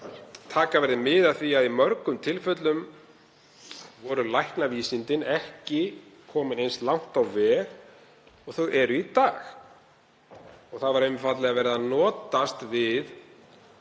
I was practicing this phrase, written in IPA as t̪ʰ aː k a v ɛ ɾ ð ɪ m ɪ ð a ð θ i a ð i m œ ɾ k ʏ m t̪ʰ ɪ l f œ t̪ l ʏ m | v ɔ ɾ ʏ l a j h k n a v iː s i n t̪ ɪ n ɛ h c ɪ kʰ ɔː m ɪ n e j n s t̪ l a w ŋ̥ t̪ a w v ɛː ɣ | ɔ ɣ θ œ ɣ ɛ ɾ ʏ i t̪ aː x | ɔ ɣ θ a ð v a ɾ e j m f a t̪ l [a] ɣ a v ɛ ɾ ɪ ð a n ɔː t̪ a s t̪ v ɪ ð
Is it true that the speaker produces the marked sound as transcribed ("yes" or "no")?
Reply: no